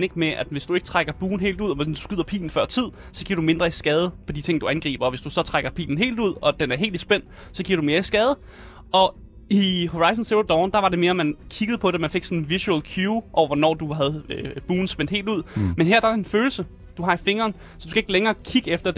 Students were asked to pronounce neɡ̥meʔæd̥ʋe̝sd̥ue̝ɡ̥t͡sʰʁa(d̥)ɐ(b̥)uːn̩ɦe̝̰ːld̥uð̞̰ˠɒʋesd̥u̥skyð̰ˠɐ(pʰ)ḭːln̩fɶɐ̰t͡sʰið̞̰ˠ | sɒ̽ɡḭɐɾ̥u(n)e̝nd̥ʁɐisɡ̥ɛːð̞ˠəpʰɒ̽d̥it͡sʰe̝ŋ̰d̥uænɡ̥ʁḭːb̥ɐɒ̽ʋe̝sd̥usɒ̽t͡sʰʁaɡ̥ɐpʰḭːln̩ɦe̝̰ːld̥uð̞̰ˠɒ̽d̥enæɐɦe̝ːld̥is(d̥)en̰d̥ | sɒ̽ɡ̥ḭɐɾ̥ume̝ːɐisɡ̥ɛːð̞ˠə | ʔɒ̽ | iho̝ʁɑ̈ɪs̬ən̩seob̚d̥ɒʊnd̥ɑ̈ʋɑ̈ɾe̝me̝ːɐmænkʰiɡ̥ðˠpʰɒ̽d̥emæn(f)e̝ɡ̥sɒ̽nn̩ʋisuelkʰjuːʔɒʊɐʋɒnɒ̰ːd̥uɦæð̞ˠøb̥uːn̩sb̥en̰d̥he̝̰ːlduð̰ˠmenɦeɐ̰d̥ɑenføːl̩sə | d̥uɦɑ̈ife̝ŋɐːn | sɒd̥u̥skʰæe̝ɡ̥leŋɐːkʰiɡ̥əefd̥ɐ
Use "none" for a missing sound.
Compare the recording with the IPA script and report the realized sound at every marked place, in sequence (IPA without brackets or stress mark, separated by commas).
ɡ̥, b̥, pʰ, m, b̥, f